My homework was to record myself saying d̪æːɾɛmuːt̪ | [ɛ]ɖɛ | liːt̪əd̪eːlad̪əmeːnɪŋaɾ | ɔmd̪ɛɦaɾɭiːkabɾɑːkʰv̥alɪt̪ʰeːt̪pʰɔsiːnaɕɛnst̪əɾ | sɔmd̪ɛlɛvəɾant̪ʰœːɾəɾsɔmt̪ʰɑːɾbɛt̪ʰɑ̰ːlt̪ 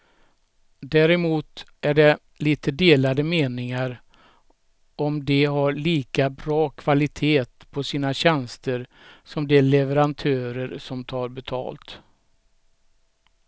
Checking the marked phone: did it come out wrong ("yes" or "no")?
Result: yes